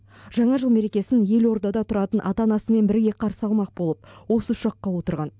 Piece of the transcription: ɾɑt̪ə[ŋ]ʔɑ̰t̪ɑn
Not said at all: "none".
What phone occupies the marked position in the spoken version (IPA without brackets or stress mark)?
n